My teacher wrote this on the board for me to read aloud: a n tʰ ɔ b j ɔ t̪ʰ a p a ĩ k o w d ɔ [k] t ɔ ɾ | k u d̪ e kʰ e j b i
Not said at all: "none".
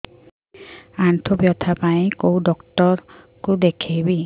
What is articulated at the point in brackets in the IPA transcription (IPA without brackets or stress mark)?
k